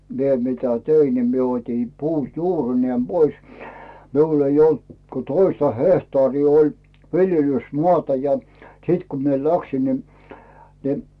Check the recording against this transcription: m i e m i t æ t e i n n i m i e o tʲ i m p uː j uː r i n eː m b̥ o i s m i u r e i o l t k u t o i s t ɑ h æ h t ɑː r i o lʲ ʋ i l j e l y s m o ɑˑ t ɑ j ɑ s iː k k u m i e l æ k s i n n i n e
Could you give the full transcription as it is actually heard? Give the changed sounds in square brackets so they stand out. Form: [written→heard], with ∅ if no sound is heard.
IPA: m i e m i t æ t e i n n i m i e o tʲ i [m→n] p uː j uː r i n eː m b̥ o i s m i u [r→l] e i o l t k [u→o] t o i s t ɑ h [æ→e] h t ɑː r [i→iː] o lʲ ʋ i l j e l y s m o ɑˑ t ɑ j ɑ s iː [k→t] k u m i e l æ k s i n n i n [e→i]